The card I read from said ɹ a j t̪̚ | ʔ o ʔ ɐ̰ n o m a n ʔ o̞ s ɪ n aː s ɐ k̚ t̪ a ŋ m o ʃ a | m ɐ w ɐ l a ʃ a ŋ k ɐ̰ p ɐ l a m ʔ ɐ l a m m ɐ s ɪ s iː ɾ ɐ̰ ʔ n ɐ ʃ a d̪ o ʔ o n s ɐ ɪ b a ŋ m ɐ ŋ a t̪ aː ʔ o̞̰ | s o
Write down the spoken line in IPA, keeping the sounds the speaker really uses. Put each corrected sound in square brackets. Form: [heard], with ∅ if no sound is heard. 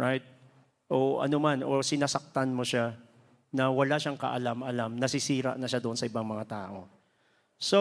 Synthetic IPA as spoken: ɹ a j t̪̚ | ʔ o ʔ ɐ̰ n o m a n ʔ o̞ s ɪ n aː s ɐ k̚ t̪ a [n] m o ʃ a | [n] ɐ w ɐ l a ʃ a ŋ k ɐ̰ [ʔ] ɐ l a m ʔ ɐ l a m [n] ɐ s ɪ s iː ɾ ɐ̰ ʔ n ɐ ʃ a d̪ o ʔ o n s ɐ ɪ b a ŋ m ɐ ŋ a t̪ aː ʔ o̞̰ | s o